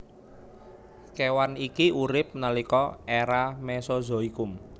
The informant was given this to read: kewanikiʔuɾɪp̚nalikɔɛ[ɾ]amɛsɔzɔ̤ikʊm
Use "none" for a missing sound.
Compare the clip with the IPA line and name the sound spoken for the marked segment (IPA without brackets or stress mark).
ɾ